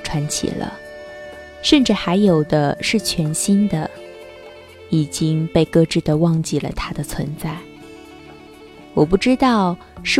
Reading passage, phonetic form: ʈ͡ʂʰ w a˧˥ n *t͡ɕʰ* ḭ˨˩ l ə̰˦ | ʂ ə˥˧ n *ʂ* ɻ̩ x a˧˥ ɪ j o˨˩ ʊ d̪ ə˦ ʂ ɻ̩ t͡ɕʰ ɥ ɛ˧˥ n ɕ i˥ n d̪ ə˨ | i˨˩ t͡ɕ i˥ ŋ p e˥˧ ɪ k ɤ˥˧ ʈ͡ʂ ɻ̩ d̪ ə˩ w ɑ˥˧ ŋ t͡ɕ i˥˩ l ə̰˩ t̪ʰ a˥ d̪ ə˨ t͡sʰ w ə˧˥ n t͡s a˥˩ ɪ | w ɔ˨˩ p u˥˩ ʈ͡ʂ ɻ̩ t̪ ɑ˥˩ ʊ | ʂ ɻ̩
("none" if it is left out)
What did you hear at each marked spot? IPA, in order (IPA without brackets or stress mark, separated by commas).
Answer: t͡ɕʰ, ʈ͡ʂ